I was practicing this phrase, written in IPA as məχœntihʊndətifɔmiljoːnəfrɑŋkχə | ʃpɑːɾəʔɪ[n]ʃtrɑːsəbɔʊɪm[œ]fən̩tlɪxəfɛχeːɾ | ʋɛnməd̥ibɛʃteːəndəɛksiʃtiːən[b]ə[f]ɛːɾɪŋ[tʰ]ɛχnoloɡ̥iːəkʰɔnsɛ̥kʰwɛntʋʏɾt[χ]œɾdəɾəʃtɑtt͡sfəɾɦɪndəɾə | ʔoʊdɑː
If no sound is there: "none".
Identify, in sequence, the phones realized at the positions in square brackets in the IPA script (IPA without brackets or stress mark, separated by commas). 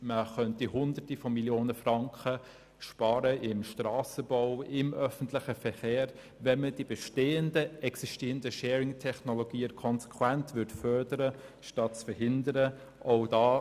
m, œ, d, ʃ, tʰ, f